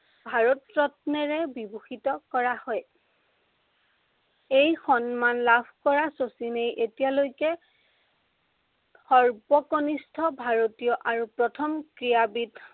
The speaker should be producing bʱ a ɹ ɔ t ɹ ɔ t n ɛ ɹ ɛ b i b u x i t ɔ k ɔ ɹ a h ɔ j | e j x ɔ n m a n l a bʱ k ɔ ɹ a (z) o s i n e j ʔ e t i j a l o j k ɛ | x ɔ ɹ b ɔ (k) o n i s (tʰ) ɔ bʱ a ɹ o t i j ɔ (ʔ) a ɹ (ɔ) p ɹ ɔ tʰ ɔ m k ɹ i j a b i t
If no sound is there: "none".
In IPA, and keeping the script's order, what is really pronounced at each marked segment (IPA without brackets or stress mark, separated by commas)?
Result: s, k, tʰ, ʔ, u